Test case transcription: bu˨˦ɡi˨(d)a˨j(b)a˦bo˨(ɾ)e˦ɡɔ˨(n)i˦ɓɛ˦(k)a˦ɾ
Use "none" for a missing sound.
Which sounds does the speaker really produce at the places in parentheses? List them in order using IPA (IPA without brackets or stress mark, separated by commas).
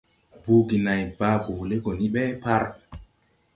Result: n, b, l, n, p